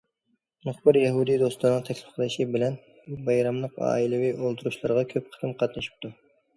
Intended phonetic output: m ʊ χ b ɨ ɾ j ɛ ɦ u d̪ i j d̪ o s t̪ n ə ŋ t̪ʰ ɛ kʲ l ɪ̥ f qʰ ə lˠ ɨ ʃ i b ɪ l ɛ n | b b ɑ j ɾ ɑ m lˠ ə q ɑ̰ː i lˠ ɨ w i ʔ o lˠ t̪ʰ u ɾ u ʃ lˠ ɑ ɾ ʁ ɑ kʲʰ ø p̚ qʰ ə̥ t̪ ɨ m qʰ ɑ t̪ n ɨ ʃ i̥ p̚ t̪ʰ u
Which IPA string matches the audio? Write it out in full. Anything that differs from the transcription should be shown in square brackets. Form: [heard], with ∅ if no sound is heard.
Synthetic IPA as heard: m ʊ χ b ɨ ɾ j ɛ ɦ u d̪ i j d̪ o s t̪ n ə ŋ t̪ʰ ɛ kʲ l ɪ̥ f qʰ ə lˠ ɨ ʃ i b ɪ l ɛ n | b b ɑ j ɾ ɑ m lˠ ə q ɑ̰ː i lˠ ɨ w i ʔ o lˠ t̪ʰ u ɾ u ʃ lˠ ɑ ɾ ʁ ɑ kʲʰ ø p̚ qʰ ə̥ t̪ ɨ m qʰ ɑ t̪ n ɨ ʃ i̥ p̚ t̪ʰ u